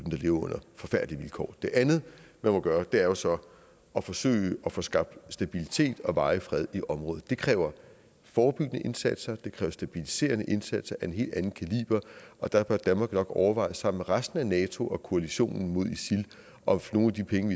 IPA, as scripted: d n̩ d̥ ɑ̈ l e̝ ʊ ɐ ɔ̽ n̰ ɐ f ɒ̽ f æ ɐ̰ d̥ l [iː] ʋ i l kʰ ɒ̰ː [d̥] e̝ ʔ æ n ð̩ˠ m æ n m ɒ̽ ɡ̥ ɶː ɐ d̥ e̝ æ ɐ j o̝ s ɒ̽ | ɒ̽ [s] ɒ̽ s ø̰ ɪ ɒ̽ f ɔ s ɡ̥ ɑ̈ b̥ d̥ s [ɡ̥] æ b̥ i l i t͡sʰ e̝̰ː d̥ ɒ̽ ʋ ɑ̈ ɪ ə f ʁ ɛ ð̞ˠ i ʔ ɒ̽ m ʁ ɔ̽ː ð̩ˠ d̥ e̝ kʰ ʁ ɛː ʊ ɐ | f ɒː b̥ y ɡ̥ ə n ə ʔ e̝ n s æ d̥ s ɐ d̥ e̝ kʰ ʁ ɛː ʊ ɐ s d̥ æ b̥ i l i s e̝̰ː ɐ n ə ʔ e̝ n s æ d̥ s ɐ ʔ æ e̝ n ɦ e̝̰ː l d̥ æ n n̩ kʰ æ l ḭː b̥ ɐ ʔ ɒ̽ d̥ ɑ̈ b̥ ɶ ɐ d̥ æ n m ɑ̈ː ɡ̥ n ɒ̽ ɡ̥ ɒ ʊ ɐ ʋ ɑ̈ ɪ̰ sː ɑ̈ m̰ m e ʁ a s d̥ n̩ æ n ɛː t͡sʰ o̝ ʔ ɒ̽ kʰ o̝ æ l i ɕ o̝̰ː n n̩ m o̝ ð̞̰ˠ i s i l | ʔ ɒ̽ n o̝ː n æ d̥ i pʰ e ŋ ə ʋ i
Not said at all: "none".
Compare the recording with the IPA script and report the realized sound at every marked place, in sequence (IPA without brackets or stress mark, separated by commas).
i, d̥, f, d̥